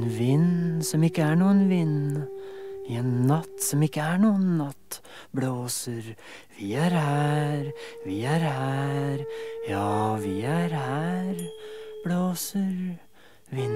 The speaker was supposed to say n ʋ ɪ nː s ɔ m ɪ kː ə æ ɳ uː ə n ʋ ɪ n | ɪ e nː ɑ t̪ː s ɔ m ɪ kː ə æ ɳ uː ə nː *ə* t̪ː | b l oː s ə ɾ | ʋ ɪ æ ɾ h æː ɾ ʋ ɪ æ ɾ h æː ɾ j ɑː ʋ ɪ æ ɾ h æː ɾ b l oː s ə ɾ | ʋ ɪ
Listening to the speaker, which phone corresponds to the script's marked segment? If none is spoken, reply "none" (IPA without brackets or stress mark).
ɑ